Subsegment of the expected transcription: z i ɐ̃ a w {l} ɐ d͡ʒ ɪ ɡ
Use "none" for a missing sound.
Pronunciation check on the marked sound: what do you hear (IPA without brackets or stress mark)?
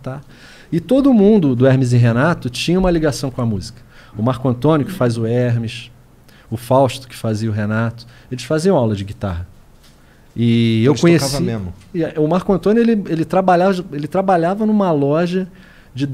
l